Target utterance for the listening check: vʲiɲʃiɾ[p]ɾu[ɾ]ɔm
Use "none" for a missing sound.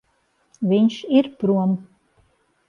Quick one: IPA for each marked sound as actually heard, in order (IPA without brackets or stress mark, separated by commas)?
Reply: p, none